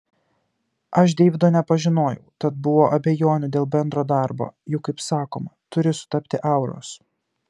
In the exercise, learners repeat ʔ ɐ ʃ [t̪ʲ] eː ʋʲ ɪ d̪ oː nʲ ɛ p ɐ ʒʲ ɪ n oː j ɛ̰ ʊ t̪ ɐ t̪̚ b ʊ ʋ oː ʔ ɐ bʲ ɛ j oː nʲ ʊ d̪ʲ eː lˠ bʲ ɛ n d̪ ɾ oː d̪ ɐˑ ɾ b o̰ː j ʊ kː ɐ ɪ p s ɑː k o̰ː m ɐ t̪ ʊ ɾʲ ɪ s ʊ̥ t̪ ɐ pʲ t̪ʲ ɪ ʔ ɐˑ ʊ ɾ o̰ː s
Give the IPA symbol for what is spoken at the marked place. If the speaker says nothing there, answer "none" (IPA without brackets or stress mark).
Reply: d̪ʲ